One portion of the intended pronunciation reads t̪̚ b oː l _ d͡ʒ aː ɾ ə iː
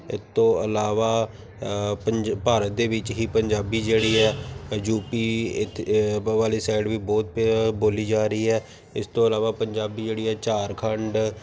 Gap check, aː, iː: iː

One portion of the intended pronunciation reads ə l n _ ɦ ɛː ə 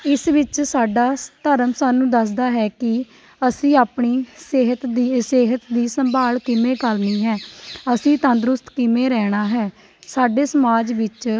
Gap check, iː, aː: iː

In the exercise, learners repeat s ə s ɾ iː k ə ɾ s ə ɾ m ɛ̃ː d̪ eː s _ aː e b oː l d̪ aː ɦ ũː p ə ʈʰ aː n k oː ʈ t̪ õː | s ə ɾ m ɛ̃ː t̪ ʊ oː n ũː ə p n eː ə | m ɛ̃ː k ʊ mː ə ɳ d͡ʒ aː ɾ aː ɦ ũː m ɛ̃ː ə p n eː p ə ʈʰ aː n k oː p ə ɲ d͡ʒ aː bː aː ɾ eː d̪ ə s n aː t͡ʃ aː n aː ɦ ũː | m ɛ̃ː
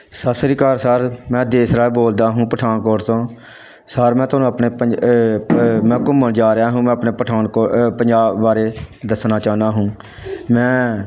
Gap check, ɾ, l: ɾ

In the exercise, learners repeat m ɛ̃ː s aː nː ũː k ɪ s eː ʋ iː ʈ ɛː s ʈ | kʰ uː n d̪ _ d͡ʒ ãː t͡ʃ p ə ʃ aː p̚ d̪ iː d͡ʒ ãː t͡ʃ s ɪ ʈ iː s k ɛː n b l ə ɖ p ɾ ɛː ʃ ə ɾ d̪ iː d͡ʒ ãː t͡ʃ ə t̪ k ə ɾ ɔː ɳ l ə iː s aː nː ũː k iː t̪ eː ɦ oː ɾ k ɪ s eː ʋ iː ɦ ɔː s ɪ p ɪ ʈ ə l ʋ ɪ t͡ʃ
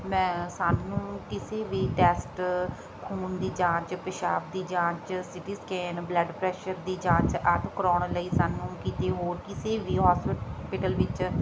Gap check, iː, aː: iː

